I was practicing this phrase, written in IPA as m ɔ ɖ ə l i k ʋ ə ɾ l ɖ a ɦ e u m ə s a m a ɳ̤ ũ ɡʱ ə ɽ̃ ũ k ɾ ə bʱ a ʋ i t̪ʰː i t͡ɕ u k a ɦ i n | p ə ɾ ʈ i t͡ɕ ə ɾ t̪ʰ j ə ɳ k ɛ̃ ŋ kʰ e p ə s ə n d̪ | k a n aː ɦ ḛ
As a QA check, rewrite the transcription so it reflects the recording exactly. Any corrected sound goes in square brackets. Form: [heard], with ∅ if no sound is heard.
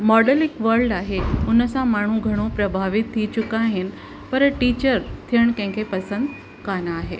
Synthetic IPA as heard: m ɔ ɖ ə l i k ʋ ə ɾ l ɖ a ɦ e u [n] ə s a m a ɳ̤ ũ ɡʱ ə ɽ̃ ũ [p] ɾ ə bʱ a ʋ i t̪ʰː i t͡ɕ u k a ɦ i n | p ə ɾ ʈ i t͡ɕ ə ɾ t̪ʰ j ə ɳ k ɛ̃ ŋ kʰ e p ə s ə n d̪ | k a n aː ɦ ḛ